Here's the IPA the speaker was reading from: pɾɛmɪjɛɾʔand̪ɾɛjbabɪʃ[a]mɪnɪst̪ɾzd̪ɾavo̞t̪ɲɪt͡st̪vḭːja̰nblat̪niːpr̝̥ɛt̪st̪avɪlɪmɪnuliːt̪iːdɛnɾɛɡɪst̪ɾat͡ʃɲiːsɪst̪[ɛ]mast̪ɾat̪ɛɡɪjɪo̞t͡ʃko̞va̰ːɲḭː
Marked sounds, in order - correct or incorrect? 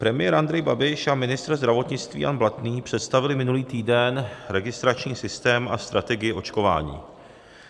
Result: correct, incorrect

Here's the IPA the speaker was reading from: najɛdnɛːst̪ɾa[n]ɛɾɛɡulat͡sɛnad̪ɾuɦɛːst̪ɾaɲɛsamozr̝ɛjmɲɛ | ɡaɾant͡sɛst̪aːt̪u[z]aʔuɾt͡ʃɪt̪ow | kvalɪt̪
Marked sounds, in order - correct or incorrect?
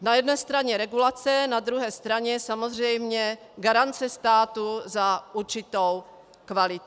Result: incorrect, correct

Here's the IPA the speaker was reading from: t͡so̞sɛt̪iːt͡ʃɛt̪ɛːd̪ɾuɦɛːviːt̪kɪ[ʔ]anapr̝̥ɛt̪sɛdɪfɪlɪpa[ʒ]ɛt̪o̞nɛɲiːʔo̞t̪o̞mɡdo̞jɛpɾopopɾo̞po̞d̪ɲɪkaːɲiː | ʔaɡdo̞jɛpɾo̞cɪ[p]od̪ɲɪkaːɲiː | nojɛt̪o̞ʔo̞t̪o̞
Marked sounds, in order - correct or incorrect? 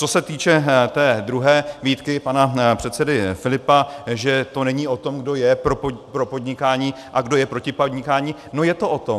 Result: incorrect, correct, correct

